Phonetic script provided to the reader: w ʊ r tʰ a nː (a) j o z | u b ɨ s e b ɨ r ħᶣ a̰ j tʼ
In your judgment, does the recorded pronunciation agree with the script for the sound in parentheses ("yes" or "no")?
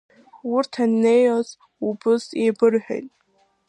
no